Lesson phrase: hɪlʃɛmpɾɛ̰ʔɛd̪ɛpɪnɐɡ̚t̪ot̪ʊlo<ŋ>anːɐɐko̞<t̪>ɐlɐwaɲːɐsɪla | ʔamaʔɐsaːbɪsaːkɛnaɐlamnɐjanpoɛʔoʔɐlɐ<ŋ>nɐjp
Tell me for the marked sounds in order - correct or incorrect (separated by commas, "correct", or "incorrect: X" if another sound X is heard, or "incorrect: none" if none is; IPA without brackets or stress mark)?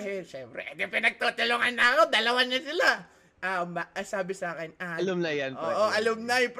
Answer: correct, incorrect: d̪, incorrect: m